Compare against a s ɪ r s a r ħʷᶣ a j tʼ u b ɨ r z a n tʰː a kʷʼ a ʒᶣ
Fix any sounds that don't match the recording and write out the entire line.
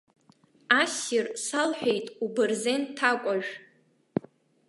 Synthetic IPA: a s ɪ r s a l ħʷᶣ e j tʼ u b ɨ r z e n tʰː a kʷʼ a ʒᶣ